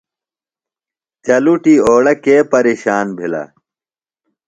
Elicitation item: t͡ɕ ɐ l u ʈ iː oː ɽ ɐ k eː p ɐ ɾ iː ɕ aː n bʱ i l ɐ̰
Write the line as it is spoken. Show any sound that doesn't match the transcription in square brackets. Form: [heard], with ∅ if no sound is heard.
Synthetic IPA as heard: t͡ɕ ɐ l u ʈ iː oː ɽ ɐ k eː p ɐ ɾ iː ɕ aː n bʱ i l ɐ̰